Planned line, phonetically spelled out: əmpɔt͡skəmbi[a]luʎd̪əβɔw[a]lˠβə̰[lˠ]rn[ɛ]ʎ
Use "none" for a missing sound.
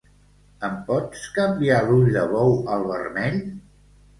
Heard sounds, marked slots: a, ə, none, ɛ

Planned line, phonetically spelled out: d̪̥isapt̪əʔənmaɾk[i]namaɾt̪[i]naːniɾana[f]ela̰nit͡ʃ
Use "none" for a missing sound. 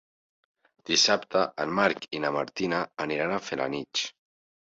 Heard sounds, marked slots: i, i, f

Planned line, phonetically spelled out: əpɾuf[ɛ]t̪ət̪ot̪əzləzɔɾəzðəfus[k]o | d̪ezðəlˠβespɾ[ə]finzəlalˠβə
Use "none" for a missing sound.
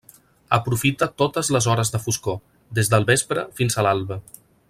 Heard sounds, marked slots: i, k, ə

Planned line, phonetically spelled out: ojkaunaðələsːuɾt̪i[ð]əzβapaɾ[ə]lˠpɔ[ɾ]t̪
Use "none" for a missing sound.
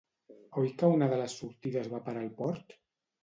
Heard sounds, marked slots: ð, a, ɾ

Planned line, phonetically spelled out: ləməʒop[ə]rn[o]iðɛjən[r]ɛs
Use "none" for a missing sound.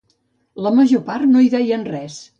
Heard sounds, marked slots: a, o, r

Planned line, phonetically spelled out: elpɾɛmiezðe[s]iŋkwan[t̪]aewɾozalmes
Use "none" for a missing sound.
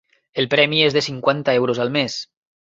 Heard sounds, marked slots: s, t̪

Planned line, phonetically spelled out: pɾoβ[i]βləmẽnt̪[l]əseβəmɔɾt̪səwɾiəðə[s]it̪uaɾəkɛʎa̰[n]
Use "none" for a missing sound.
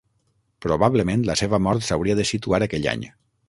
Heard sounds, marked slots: a, l, s, ɲ

